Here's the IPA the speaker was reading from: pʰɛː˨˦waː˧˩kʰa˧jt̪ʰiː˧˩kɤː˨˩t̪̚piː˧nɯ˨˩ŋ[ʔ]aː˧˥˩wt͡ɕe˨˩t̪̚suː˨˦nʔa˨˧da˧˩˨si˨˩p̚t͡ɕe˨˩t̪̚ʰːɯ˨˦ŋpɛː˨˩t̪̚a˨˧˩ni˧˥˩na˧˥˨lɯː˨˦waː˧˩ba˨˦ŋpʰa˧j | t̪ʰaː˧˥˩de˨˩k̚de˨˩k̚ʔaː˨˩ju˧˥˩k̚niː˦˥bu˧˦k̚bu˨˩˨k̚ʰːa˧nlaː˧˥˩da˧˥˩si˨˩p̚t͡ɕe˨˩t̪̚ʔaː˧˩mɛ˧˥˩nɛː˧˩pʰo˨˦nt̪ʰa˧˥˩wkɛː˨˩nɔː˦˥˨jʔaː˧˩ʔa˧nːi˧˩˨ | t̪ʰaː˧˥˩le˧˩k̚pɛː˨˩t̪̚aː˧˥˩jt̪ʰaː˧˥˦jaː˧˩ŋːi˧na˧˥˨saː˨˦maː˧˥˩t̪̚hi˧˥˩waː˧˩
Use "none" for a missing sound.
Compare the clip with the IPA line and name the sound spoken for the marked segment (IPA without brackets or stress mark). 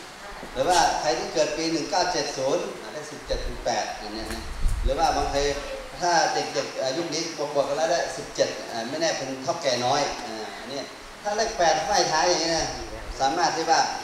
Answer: k